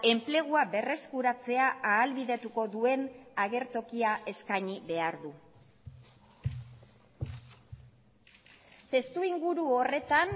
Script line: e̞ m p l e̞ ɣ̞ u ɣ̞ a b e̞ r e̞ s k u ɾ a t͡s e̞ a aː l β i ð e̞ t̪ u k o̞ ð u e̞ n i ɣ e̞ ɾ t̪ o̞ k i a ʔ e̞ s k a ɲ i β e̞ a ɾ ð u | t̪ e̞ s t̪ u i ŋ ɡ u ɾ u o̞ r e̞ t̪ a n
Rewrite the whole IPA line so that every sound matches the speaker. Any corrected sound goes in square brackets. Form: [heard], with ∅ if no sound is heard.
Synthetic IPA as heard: e̞ m p l e̞ ɣ̞ u [∅] a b e̞ r e̞ s k u ɾ a t͡s e̞ a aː l β i ð e̞ t̪ u k o̞ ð u e̞ n [a] ɣ e̞ ɾ t̪ o̞ k i a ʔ e̞ s k a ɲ i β e̞ a ɾ ð u | t̪ e̞ s t̪ u i ŋ ɡ u ɾ u o̞ r e̞ t̪ a n